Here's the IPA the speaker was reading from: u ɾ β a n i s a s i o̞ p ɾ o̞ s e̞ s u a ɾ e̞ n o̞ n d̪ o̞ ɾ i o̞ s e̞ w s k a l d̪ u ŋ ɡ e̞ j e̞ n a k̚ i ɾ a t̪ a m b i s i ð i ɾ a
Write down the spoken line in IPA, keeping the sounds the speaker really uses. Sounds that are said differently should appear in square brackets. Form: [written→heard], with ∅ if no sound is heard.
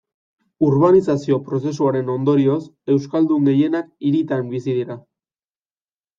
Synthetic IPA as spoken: u ɾ β a n i s a s i o̞ p ɾ o̞ s e̞ s u a ɾ e̞ n o̞ n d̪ o̞ ɾ i o̞ s e̞ w s k a l d̪ u ŋ ɡ e̞ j e̞ n a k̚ i ɾ [a→i] t̪ a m b i s i ð i ɾ a